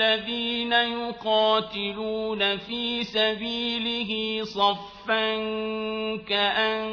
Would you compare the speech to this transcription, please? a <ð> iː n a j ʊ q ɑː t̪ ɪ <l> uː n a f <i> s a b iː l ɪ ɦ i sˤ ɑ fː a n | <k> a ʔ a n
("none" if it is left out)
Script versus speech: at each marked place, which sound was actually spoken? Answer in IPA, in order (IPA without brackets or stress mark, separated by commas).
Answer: ð, l, iː, k